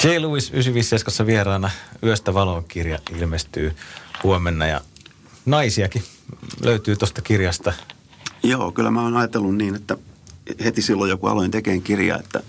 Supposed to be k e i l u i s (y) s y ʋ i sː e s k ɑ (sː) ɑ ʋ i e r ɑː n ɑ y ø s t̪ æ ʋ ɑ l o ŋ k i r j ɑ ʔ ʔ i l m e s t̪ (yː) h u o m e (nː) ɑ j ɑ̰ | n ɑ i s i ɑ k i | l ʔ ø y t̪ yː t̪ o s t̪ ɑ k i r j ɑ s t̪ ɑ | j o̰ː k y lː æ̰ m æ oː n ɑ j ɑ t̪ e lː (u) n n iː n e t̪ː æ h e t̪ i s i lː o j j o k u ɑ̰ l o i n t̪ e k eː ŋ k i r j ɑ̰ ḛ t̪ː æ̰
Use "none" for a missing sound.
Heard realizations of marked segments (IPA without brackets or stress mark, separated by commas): y, sː, yː, nː, u